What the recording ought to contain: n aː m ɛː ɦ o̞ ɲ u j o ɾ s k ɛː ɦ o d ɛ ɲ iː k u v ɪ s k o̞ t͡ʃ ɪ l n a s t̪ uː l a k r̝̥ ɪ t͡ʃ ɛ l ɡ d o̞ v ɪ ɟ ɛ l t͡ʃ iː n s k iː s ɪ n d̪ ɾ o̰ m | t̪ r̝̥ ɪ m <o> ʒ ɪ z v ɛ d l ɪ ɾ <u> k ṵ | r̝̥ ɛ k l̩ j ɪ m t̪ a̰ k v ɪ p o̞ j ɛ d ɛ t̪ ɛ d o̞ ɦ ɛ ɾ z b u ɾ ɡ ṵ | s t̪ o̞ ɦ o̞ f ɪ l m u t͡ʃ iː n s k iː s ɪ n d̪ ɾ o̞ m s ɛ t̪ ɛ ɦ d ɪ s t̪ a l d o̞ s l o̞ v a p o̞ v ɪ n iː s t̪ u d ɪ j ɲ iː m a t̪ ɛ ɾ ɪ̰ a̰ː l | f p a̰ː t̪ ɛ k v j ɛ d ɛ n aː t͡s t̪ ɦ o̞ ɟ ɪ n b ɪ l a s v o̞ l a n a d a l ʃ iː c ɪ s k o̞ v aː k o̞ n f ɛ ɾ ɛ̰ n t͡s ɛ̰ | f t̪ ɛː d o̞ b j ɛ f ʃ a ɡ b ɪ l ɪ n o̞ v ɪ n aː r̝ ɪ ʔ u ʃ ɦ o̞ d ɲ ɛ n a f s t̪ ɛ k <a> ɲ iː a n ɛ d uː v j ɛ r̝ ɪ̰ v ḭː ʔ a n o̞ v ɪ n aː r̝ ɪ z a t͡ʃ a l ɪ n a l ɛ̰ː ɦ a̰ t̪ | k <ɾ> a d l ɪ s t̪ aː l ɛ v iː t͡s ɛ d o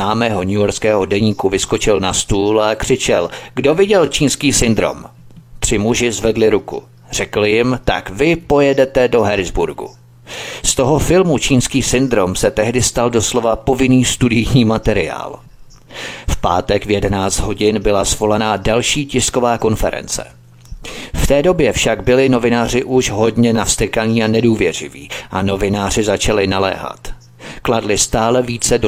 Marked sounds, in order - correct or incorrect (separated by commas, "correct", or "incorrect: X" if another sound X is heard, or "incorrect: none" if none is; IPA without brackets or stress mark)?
incorrect: u, correct, correct, incorrect: l